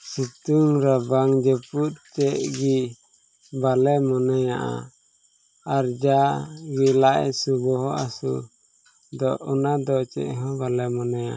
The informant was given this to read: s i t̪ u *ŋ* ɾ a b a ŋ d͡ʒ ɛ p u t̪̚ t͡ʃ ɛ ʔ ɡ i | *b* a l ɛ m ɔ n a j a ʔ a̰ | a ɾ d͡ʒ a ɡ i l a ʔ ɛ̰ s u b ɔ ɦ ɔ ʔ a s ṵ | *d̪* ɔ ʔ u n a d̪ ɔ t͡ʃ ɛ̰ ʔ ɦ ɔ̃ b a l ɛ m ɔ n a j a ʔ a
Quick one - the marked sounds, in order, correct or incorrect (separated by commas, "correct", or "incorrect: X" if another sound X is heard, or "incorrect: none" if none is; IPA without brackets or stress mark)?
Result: correct, correct, correct